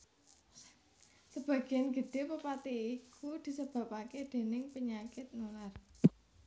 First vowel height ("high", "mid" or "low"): mid